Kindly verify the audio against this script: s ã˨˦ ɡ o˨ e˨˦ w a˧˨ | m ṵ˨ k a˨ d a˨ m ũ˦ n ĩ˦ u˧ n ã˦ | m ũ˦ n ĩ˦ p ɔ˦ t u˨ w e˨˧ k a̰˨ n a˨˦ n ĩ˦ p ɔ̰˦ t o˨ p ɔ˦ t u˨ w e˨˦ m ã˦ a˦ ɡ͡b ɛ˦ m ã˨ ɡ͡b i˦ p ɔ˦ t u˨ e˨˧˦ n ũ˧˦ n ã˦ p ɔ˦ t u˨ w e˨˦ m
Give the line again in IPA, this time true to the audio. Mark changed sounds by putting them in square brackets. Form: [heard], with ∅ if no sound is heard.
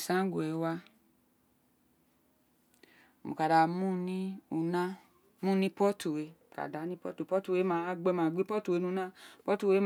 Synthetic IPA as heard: s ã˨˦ ɡ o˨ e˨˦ w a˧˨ | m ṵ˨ k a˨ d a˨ m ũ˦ n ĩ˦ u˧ n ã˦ | m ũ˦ n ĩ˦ p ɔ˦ t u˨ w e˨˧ k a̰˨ [d] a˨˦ n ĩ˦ p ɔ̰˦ t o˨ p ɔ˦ t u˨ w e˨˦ m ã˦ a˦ ɡ͡b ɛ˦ m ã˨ ɡ͡b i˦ p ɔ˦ t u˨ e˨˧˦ n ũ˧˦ n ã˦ p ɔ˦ t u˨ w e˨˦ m